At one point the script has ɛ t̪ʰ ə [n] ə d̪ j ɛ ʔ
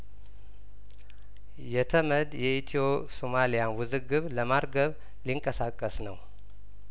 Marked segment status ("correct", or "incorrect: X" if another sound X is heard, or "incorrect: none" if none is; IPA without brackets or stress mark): incorrect: m